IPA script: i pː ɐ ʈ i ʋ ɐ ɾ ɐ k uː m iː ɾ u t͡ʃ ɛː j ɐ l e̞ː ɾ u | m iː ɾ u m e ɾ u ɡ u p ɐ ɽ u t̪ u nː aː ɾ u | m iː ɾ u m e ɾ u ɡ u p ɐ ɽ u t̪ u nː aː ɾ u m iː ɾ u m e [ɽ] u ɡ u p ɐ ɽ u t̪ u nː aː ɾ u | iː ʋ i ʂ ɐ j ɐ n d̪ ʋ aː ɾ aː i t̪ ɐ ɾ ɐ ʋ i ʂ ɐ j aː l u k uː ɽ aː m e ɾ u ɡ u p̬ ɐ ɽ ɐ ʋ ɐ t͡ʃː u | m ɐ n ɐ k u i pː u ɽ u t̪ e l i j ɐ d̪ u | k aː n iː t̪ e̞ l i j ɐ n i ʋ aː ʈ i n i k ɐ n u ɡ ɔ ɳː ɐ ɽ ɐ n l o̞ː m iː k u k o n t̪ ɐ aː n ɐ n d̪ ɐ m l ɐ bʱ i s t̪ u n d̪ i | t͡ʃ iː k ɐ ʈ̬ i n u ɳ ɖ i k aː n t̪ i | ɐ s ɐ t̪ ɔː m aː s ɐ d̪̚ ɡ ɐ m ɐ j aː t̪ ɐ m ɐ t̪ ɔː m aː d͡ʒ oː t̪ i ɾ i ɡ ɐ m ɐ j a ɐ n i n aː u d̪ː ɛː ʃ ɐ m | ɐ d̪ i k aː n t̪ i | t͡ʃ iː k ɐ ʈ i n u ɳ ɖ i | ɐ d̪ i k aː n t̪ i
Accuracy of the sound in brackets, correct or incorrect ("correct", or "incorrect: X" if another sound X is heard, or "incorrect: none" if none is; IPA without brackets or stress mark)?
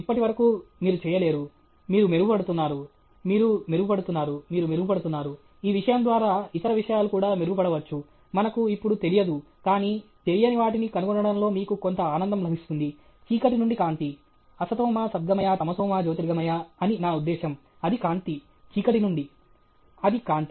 incorrect: ɾ